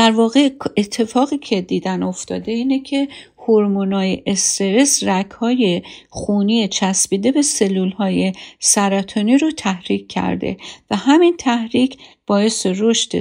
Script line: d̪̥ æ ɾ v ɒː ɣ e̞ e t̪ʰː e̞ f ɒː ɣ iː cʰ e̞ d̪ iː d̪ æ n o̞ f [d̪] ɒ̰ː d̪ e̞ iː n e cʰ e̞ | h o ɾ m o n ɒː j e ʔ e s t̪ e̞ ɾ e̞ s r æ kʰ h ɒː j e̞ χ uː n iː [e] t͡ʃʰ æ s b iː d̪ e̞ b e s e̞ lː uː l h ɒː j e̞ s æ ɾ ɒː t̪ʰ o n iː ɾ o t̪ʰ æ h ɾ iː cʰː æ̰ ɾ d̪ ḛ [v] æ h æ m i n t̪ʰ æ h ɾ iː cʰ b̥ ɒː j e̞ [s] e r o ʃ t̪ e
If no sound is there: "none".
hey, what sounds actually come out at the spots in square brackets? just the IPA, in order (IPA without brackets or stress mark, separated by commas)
t̪, e, v, s